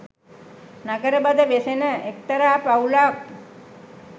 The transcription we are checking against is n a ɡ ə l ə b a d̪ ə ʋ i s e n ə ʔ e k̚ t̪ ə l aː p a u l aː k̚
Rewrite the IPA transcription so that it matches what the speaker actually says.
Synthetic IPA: n a ɡ ə ɾ ə b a d̪ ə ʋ e s e n ə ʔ e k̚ t̪ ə ɾ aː p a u l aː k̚